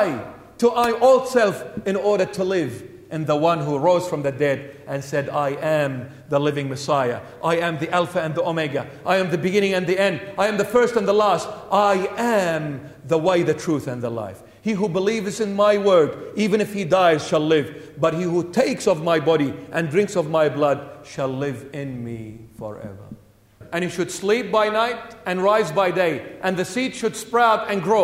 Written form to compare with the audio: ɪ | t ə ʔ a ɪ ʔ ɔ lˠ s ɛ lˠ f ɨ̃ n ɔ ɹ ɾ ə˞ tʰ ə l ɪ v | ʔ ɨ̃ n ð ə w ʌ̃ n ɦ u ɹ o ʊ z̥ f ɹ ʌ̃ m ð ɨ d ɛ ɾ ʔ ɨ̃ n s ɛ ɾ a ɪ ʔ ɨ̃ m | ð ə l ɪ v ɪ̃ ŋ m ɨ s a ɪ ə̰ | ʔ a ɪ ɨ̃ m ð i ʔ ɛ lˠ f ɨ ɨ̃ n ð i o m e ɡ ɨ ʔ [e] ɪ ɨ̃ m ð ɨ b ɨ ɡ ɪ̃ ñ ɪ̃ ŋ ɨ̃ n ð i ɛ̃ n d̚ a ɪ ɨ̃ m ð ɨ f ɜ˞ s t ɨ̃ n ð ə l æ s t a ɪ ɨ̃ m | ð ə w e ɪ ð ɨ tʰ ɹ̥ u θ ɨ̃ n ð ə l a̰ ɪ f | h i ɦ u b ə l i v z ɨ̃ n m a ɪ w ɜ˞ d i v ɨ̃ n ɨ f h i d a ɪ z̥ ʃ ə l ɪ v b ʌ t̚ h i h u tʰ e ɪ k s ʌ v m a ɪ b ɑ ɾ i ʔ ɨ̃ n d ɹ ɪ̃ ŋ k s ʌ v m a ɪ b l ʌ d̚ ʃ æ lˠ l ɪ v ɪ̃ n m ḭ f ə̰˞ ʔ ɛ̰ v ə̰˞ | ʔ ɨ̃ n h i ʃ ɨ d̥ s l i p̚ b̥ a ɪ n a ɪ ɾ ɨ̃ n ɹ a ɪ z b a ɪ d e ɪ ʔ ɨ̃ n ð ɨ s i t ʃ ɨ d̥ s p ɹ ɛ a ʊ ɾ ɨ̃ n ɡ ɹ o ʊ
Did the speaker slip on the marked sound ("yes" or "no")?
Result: yes